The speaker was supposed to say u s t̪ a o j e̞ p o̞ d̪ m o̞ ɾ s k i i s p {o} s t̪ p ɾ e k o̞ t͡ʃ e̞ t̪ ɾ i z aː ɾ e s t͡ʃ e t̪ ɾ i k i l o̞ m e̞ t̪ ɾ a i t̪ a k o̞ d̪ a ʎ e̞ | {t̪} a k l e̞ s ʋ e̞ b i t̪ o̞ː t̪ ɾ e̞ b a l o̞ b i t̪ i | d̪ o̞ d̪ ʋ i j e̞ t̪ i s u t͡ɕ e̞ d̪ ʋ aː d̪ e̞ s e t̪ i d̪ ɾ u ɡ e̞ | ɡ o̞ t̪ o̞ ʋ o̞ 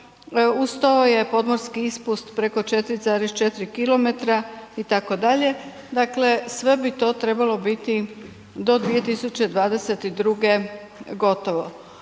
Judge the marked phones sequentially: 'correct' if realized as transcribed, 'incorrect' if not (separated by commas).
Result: incorrect, incorrect